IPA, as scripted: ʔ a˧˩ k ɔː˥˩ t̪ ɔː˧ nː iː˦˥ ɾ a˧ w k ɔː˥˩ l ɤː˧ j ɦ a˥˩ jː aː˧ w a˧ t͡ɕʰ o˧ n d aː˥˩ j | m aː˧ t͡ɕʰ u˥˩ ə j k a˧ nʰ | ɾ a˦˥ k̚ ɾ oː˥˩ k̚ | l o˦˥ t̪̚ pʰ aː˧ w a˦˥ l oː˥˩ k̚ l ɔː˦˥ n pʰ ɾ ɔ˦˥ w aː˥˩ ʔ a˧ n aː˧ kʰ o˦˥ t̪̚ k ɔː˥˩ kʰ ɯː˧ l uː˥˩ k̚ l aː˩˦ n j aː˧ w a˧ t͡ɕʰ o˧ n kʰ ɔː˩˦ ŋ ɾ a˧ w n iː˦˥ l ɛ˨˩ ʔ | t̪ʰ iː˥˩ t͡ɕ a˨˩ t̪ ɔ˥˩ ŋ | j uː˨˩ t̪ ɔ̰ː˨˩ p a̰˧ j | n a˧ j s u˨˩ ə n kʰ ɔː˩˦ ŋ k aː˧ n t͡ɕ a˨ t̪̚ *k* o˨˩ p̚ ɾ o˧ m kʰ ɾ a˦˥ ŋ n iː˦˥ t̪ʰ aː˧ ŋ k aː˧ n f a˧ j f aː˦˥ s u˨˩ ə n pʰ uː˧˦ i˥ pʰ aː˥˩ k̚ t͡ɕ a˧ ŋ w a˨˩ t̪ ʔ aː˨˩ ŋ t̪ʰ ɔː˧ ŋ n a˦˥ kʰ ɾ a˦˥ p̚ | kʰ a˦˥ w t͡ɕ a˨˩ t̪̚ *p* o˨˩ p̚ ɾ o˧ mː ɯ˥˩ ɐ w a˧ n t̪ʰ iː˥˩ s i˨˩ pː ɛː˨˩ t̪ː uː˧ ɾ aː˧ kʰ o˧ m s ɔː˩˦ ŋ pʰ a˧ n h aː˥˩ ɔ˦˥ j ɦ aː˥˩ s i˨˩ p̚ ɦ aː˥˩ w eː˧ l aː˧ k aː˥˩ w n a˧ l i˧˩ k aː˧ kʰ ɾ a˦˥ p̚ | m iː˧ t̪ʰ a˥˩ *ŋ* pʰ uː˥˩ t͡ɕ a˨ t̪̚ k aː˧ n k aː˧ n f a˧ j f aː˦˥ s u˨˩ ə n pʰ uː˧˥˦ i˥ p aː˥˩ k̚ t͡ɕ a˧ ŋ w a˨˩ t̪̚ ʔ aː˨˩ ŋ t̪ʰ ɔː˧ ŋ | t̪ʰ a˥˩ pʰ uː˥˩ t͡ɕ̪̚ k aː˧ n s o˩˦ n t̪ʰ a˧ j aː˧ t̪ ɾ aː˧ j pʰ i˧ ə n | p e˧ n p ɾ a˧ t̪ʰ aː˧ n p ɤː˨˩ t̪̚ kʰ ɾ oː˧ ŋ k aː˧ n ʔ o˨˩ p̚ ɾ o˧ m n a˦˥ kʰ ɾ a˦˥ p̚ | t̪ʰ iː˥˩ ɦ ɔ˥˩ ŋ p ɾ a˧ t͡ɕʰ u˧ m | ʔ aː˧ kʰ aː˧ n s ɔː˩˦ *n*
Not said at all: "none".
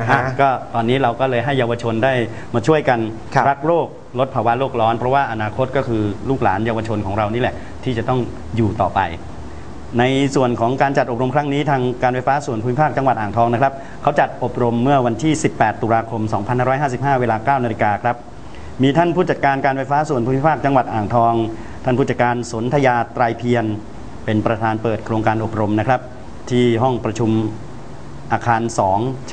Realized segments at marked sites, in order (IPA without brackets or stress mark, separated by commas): ʔ, ʔ, n, ŋ